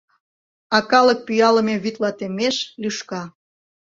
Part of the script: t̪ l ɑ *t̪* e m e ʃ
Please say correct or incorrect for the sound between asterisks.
correct